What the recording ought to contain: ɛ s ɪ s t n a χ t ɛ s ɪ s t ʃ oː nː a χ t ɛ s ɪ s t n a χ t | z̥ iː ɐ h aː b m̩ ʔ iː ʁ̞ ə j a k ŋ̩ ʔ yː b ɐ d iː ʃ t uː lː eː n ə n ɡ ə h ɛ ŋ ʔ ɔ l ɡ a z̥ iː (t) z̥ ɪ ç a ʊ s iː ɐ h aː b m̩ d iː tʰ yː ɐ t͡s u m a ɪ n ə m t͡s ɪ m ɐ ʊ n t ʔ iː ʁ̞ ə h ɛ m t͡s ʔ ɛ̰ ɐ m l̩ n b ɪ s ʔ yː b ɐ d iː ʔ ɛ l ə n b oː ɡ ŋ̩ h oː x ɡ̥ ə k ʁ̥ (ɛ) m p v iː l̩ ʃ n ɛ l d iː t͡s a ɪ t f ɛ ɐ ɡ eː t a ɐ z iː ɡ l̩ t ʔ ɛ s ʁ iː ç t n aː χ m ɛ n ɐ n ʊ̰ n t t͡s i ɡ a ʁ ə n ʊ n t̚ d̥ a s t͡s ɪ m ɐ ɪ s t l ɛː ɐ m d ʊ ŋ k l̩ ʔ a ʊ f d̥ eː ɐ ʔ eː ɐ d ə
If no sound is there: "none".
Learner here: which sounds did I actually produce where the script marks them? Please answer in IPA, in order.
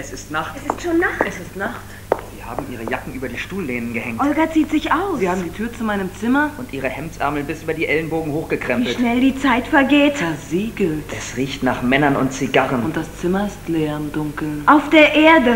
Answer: t, ɛ

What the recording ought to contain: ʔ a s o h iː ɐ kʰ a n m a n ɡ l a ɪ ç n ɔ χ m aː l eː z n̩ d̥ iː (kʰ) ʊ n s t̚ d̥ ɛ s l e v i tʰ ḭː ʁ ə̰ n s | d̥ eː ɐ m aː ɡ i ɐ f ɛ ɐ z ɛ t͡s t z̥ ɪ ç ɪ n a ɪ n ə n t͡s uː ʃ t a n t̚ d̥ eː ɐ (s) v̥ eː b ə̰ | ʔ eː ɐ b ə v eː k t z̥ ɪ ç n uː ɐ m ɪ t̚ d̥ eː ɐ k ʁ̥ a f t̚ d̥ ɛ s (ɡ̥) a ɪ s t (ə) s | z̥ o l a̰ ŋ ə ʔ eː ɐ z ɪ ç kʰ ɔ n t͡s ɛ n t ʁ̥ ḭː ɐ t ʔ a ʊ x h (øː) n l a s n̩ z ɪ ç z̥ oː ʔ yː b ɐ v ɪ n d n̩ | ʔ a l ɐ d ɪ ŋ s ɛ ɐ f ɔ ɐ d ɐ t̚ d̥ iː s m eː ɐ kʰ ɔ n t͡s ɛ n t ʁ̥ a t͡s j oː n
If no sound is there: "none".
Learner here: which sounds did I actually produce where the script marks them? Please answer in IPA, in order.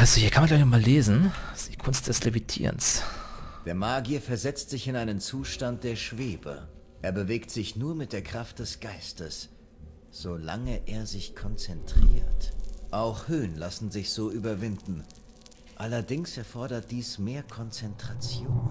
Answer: kʰ, ʃ, ɡ̥, ə, øː

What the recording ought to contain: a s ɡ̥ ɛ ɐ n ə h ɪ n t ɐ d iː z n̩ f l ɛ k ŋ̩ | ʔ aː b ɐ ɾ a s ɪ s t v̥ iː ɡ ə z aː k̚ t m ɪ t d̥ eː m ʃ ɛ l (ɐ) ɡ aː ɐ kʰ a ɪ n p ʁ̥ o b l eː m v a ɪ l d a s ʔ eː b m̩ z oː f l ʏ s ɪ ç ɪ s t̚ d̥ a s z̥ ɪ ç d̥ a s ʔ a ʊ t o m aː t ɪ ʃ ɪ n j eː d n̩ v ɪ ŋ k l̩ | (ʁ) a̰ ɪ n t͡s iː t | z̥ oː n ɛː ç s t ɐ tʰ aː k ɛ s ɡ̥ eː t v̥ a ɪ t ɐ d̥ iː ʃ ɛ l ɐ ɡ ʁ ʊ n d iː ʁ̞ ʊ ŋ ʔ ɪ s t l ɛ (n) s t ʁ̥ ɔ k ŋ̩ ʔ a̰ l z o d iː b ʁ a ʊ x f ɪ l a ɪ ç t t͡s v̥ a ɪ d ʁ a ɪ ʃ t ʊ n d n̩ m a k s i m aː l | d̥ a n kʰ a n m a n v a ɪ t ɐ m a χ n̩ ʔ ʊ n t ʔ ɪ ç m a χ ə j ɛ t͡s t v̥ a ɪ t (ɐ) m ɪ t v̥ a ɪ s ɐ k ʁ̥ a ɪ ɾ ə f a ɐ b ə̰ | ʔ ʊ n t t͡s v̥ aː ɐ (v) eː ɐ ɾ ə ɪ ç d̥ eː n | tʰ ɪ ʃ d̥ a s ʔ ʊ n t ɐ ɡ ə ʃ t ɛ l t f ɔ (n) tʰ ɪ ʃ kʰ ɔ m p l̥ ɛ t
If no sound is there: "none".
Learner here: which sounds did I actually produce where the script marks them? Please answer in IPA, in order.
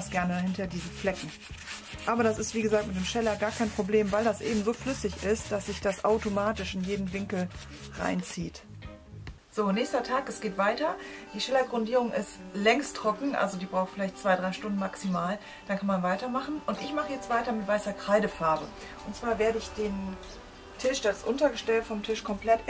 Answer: ɐ, ʁ, ŋ, ɐ, v, m

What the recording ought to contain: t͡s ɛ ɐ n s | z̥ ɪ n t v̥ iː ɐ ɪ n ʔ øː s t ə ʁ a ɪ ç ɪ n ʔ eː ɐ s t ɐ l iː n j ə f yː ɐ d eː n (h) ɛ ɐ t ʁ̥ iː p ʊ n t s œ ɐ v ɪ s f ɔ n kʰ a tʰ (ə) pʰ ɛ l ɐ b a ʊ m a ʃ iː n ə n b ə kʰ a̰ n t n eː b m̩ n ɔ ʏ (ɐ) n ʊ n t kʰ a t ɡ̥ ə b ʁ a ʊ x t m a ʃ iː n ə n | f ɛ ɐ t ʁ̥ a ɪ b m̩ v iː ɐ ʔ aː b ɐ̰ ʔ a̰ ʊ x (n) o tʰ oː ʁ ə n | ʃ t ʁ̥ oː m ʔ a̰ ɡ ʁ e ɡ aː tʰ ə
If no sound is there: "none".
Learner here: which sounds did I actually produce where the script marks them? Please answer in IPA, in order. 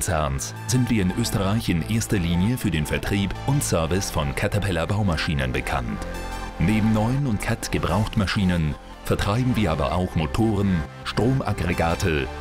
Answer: f, a, ə, m

